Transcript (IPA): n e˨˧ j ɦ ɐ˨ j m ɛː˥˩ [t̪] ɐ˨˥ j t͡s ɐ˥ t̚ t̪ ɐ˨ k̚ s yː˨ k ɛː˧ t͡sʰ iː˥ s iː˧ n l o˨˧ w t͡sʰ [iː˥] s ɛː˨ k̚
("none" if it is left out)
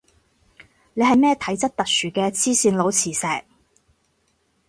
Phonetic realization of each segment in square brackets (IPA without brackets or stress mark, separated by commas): t̪ʰ, iː˨˩